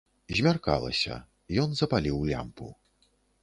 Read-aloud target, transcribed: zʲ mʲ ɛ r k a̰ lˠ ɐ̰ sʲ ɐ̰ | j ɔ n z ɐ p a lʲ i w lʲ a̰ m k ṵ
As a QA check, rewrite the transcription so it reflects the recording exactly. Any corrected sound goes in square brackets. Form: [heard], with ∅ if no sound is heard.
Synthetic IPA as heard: zʲ mʲ [a] r k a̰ lˠ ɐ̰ sʲ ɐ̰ | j ɔ n z ɐ p a lʲ i w lʲ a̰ m [p] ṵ